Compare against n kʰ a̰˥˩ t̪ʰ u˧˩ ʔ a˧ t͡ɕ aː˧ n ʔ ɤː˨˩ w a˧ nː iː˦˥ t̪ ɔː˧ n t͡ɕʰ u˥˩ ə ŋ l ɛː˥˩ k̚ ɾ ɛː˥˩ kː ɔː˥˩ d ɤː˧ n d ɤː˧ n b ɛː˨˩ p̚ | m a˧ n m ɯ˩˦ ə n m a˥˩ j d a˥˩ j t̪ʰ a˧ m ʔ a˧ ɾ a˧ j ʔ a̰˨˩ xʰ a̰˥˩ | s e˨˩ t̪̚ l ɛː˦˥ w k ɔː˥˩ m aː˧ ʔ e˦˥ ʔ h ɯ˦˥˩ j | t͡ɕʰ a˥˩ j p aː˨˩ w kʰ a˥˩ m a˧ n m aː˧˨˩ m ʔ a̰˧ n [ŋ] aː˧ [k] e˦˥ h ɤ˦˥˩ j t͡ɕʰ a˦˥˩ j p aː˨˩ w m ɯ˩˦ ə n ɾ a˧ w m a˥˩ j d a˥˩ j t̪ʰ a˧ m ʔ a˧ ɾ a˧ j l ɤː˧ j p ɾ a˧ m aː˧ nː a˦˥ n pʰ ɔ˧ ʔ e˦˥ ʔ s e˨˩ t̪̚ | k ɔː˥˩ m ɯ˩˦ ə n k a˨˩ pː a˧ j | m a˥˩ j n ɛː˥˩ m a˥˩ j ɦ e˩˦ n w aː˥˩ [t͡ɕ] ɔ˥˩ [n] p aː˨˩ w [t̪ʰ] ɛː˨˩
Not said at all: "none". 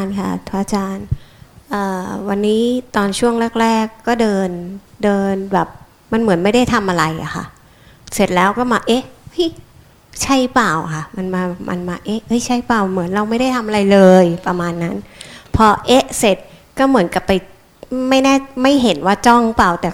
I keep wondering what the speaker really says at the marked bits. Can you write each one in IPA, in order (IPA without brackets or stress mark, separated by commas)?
m, ʔ, t͡ɕ, ŋ, t̪